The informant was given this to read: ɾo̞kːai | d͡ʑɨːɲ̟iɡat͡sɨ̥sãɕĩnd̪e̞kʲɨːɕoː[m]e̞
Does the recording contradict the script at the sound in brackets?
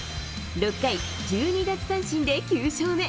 no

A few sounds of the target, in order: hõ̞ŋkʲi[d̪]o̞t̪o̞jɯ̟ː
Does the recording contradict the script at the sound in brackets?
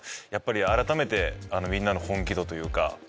no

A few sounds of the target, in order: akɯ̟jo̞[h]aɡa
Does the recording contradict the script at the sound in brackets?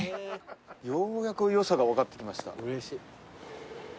yes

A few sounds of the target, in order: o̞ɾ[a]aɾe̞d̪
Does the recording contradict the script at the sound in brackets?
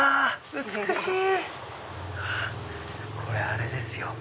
yes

